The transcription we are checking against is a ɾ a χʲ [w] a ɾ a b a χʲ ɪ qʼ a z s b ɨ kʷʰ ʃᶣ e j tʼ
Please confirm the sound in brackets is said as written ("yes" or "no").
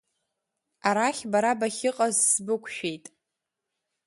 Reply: no